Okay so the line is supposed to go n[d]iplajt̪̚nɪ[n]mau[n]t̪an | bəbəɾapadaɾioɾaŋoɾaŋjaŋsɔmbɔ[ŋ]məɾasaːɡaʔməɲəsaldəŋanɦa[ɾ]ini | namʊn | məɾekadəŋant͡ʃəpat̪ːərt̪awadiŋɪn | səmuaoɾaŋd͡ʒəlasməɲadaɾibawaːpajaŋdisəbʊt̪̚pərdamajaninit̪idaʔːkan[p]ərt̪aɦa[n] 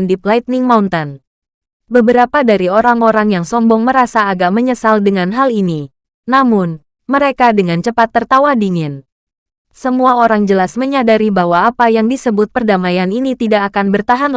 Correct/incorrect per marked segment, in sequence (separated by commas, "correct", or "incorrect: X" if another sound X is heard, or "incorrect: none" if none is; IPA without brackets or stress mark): correct, incorrect: ŋ, correct, correct, incorrect: l, incorrect: b, correct